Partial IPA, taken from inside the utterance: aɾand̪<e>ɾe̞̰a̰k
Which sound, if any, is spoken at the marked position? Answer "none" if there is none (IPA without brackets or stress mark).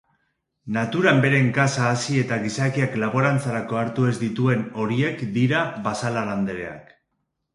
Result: e